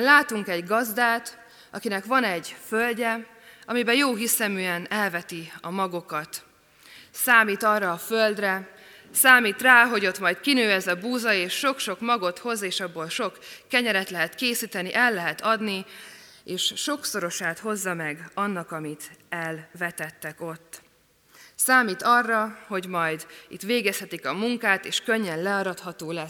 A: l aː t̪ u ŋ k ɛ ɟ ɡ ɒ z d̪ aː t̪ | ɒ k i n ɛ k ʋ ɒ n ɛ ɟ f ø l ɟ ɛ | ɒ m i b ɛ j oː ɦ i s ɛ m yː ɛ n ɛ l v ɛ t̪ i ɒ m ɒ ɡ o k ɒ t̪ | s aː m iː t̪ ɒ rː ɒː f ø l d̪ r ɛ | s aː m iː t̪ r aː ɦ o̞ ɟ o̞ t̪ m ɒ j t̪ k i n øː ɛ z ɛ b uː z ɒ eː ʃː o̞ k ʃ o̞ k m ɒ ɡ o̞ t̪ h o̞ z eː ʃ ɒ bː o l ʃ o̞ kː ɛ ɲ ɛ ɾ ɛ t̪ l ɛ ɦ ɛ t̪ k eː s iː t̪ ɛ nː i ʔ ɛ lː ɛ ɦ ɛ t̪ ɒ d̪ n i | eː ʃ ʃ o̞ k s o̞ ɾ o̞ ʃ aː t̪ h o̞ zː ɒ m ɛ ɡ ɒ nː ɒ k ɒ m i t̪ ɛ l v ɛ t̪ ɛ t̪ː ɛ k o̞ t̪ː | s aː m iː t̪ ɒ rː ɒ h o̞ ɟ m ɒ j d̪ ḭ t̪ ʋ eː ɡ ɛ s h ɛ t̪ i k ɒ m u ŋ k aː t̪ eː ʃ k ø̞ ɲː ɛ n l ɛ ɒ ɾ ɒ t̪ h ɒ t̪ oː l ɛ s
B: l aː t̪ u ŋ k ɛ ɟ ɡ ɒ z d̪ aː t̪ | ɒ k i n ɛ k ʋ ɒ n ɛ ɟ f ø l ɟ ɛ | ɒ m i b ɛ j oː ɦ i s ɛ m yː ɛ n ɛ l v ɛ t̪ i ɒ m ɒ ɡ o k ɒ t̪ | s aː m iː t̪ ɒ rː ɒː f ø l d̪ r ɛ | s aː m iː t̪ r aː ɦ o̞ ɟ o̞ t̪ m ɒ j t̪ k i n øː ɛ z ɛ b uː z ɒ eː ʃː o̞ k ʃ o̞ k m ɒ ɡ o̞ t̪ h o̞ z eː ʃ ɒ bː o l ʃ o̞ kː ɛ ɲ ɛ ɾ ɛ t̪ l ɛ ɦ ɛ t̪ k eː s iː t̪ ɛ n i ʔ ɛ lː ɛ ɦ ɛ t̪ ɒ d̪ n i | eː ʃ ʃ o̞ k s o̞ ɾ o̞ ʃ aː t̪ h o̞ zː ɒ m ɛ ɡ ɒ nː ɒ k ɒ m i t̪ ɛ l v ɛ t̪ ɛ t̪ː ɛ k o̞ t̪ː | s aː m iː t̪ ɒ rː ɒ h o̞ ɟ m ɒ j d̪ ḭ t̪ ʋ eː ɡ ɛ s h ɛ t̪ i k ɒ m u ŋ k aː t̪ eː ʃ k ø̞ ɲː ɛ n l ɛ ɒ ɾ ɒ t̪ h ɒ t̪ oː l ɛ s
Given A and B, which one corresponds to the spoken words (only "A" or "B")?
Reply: B